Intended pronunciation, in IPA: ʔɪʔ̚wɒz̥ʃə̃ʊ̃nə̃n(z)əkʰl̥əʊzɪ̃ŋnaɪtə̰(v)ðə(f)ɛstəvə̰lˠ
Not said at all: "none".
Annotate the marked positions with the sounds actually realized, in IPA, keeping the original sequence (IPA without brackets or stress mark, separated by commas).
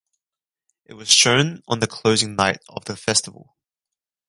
ð, v, f